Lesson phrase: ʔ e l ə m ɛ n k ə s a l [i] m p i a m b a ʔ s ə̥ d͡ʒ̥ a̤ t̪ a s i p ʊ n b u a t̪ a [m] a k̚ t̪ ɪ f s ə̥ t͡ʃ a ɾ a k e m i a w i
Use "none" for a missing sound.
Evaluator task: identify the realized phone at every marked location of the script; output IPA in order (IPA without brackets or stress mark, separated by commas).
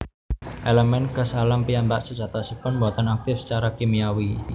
a, n